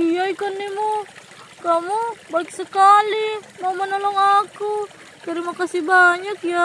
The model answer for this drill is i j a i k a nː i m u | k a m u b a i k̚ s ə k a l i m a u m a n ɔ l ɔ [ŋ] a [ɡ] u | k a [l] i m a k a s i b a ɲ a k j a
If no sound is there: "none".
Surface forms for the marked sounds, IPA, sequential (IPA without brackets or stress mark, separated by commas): ŋ, k, ɾ